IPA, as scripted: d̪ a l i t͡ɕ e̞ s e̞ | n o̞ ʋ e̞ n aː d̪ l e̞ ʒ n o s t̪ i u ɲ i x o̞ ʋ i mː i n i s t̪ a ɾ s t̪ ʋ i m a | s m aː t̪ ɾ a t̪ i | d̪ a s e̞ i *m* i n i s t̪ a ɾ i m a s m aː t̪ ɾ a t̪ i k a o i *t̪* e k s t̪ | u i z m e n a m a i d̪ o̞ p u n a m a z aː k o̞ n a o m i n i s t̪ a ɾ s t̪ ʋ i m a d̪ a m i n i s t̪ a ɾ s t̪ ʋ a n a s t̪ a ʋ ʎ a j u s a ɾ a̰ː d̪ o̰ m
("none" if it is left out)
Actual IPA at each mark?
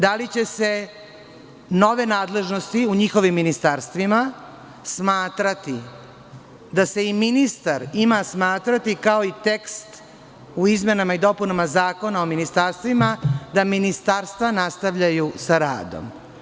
m, t̪

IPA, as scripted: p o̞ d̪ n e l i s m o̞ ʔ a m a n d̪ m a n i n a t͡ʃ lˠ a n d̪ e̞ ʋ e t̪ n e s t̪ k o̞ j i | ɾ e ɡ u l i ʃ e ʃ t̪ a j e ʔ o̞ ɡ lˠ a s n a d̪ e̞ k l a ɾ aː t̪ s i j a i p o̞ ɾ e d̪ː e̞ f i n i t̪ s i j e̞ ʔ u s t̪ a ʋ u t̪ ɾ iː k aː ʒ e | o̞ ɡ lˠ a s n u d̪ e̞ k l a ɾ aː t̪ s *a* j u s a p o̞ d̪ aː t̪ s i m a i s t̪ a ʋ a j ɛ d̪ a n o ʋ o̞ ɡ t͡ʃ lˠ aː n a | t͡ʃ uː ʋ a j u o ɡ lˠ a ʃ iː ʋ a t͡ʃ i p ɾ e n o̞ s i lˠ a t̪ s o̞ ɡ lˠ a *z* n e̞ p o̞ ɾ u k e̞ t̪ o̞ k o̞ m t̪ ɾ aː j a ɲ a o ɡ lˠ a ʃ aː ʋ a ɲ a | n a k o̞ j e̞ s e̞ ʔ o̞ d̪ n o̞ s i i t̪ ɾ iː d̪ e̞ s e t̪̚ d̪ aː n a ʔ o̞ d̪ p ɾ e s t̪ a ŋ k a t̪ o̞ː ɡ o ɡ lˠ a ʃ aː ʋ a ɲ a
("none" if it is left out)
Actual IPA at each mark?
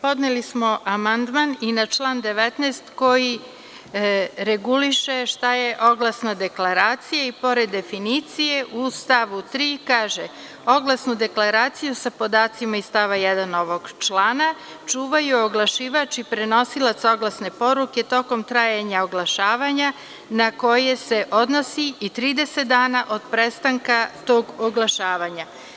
i, s

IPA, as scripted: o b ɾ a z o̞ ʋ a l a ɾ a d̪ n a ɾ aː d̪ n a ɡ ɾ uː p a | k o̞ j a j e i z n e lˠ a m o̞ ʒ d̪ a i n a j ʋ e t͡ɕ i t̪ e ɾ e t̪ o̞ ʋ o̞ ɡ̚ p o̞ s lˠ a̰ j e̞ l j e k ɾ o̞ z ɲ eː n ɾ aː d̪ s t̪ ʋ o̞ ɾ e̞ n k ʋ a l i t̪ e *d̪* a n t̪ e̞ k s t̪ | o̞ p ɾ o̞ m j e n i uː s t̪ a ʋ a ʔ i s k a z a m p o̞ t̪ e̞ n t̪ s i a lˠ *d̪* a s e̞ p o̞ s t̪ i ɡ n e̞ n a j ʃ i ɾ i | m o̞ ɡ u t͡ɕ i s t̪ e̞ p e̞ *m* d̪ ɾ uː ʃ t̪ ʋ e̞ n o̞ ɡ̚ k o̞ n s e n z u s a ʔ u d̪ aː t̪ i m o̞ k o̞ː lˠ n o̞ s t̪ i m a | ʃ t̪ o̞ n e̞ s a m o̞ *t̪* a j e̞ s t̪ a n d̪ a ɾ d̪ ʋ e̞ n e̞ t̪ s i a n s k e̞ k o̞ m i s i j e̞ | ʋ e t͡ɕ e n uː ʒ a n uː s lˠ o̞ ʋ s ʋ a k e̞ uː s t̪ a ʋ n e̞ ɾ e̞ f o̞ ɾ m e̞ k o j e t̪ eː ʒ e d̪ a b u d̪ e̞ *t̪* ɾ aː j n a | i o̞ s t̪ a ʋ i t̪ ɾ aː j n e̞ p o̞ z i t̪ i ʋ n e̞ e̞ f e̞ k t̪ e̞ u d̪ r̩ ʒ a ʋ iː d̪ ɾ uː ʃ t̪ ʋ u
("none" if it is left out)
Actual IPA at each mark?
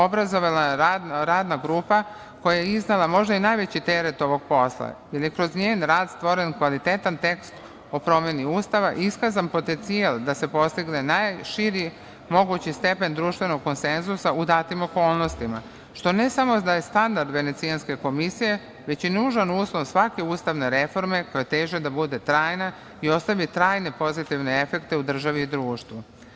t̪, d̪, n, d̪, t̪

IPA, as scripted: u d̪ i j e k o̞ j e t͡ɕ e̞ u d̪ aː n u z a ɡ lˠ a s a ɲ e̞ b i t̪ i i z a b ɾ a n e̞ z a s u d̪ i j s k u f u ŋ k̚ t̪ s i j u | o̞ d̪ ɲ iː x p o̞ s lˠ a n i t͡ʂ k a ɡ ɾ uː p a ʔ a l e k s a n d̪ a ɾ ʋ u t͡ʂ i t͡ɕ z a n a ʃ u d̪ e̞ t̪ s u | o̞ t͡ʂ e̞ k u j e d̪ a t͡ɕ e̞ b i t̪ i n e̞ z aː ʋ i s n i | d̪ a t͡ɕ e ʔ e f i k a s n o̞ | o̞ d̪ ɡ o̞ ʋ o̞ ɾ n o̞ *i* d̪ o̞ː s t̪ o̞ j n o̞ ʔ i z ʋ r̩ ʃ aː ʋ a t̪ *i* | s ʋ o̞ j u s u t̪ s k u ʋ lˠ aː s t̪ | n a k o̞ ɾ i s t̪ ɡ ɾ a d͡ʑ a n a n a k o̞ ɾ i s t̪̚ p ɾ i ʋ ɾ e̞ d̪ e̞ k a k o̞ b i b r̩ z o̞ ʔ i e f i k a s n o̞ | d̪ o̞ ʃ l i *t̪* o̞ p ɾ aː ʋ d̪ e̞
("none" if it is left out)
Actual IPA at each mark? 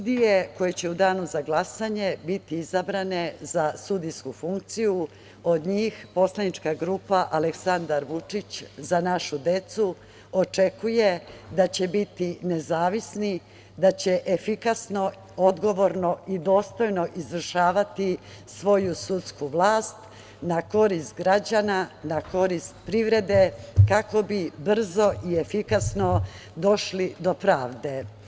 i, i, d̪

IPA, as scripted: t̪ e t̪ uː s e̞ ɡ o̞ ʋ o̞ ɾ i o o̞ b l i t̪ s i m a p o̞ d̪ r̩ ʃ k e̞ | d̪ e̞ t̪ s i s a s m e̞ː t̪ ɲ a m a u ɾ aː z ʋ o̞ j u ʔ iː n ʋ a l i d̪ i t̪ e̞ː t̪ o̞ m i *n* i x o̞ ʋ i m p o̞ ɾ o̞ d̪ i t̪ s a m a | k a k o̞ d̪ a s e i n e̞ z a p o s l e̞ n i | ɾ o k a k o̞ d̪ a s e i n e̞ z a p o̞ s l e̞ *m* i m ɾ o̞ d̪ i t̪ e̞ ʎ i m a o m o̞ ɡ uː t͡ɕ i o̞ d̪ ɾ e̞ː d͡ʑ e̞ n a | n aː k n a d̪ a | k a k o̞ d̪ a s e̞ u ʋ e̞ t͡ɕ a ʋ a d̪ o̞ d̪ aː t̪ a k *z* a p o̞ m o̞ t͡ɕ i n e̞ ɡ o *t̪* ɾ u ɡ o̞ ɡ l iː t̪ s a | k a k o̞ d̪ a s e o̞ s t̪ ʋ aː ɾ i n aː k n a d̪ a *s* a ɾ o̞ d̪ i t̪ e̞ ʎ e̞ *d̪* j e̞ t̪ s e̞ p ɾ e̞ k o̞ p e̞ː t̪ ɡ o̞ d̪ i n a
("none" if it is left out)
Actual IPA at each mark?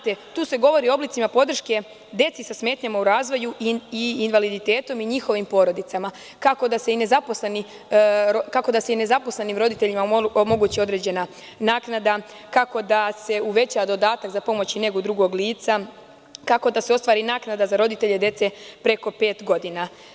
ɲ, n, z, d̪, z, d̪

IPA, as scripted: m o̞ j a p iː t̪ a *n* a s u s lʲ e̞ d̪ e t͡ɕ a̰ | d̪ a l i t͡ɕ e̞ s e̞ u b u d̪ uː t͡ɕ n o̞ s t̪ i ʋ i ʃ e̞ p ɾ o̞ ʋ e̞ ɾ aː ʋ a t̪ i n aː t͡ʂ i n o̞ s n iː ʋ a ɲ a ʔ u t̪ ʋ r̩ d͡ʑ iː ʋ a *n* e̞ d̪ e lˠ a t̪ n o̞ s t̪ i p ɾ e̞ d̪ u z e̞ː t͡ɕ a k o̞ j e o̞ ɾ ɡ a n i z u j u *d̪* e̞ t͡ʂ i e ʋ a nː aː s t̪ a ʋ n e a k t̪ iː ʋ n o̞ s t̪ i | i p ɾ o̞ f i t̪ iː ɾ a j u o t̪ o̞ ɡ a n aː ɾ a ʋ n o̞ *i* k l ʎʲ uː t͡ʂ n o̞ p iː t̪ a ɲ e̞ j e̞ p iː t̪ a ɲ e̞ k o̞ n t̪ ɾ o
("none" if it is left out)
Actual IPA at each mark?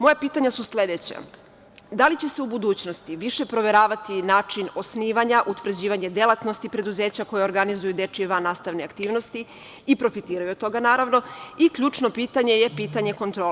ɲ, ɲ, d̪, i

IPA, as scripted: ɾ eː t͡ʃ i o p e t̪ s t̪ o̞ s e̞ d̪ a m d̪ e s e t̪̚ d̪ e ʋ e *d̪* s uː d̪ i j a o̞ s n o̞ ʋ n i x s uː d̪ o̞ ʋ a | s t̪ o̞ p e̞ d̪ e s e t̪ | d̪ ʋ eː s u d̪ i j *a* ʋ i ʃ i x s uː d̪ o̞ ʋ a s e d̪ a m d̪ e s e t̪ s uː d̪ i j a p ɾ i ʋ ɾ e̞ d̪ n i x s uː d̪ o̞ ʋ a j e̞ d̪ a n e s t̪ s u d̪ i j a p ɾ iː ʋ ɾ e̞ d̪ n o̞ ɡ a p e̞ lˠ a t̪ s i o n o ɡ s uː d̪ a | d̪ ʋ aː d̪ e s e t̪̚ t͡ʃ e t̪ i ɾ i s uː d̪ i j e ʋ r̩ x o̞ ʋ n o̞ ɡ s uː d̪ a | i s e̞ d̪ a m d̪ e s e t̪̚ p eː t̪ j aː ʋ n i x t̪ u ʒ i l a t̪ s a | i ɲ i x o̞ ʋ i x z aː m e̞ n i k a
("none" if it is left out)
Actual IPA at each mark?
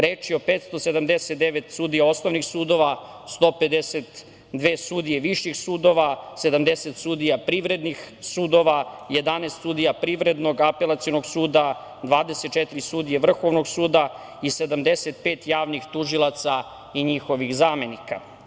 t̪, e

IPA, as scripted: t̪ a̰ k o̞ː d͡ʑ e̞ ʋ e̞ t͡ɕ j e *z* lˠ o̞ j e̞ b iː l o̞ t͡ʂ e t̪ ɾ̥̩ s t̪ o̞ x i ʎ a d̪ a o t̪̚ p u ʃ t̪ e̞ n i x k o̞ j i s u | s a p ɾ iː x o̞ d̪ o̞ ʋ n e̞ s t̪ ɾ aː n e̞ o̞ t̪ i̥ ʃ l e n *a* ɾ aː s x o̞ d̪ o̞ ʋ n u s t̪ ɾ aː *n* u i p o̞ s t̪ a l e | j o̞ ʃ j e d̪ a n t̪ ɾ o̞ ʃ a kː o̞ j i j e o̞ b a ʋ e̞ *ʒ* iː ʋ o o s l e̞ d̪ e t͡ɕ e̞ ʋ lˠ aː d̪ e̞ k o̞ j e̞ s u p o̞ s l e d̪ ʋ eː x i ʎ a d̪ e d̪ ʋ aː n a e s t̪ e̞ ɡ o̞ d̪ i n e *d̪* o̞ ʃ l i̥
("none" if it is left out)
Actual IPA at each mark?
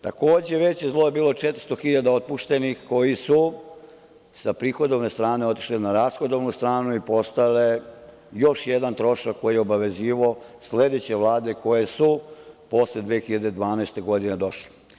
z, a, n, z, d̪

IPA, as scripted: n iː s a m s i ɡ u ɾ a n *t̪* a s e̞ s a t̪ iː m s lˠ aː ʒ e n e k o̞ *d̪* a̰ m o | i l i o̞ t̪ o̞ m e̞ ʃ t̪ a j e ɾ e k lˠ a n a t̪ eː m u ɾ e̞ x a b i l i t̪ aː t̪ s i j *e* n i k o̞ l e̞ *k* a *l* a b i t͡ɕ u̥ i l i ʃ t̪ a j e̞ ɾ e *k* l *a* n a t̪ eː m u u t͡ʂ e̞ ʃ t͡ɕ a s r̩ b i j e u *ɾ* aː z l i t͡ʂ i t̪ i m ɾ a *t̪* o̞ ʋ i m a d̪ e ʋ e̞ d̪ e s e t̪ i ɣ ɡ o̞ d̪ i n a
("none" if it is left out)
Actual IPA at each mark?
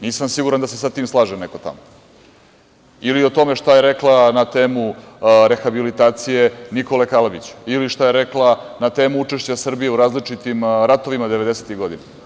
d̪, t̪, e, k, l, k, a, ɾ, t̪

